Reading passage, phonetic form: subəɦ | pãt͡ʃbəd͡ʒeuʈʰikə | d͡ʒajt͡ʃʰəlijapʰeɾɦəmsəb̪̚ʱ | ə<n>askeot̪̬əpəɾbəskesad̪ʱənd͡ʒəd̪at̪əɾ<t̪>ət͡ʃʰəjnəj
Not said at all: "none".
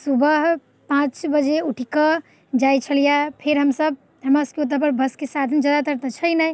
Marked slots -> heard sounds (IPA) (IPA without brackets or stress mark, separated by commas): m, t̪